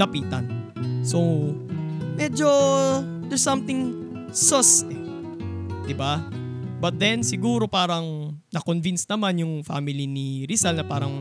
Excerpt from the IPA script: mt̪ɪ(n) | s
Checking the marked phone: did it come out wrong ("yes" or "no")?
yes